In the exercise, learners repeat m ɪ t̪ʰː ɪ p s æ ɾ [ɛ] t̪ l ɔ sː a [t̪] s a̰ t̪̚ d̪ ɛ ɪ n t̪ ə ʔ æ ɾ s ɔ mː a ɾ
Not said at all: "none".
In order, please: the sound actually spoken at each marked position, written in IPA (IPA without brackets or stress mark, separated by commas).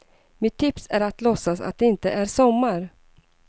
a, none